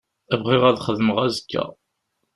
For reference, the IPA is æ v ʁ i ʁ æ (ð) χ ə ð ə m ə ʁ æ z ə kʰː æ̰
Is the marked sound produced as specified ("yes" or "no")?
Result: yes